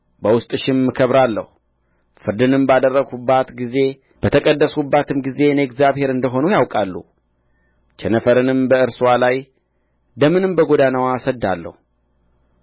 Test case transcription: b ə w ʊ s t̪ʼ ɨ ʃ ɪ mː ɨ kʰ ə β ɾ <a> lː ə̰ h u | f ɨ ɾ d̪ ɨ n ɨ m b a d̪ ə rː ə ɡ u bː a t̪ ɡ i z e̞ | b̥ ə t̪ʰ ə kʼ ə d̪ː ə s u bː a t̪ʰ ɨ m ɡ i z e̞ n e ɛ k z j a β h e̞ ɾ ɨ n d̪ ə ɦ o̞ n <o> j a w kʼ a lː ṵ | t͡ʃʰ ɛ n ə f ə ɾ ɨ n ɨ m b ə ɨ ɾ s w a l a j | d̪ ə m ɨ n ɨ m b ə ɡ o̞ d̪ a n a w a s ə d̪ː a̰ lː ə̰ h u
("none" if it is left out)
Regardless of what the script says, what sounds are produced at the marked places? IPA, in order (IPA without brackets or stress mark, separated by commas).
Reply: a, u